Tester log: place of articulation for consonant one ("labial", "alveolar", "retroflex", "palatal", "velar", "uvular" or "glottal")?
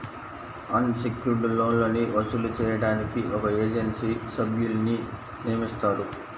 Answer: alveolar